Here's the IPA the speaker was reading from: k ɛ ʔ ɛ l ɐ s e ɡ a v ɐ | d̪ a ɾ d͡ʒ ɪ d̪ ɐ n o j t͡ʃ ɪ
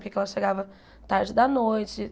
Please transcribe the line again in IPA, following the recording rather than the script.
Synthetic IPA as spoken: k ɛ k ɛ l ɐ ʃ e ɡ a v ɐ | t̪ a ɾ d͡ʒ ɪ d̪ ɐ n o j t͡ʃ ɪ